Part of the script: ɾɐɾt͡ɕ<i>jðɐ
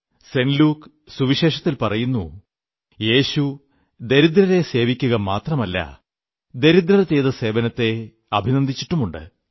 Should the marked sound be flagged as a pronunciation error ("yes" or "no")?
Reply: yes